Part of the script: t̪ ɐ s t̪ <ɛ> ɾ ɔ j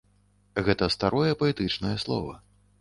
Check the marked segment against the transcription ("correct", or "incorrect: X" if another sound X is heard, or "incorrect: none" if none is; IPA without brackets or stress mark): incorrect: a